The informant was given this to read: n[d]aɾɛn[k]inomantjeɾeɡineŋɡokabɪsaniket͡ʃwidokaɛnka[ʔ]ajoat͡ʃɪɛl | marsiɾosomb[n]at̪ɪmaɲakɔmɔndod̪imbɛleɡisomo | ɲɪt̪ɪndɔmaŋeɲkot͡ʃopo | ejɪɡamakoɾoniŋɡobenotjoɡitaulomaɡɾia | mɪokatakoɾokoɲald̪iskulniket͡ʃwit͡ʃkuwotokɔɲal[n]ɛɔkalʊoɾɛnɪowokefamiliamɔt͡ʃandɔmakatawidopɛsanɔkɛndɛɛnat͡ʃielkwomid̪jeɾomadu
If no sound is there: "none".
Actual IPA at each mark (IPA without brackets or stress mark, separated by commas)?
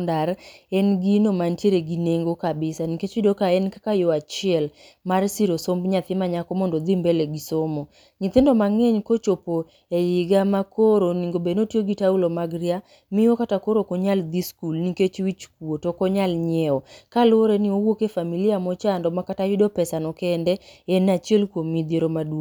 d, ɡ, k, ɲ, ɲ